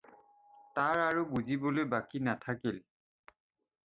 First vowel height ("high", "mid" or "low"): low